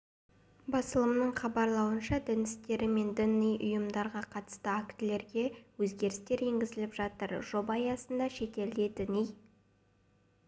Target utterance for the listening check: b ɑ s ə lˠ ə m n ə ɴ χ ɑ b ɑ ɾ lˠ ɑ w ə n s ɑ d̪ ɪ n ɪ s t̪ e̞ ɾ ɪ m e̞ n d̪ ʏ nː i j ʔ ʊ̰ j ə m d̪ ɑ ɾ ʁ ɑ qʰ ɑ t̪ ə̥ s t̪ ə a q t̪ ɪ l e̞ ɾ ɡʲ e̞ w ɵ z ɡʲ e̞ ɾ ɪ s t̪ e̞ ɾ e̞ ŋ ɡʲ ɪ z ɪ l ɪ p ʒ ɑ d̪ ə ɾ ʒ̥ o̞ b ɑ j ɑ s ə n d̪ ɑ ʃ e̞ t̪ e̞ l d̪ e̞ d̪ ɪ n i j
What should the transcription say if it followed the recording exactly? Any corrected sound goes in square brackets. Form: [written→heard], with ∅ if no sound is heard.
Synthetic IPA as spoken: b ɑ s ə lˠ ə m n ə ɴ χ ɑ b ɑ ɾ lˠ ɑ w ə n [s→ʃ] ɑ d̪ ɪ n ɪ s t̪ e̞ ɾ ɪ m e̞ n d̪ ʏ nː i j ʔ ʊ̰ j ə m d̪ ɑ ɾ ʁ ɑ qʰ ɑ t̪ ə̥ s t̪ ə a [q→k] t̪ ɪ l e̞ ɾ ɡʲ e̞ w ɵ z ɡʲ e̞ ɾ ɪ s t̪ e̞ ɾ e̞ ŋ ɡʲ ɪ z ɪ l ɪ p ʒ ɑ [d̪→t̪] ə ɾ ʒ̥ o̞ b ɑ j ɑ s ə n d̪ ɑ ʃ e̞ t̪ e̞ l d̪ e̞ d̪ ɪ n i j